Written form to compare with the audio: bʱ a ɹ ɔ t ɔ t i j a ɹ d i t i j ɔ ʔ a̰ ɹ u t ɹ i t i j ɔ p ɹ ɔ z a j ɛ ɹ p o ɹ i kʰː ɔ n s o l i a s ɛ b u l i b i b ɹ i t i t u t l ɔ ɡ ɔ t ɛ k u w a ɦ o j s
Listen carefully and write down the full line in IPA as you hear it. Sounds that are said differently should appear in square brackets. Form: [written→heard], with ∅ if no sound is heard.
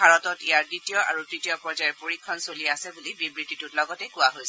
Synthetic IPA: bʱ a ɹ ɔ t ɔ t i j a ɹ d i t i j ɔ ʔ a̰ ɹ u t ɹ i t i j ɔ p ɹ ɔ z a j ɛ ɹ p o ɹ i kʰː ɔ n s o l i a s ɛ b u l i b i b ɹ i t i t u t l ɔ ɡ ɔ t ɛ k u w a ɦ o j s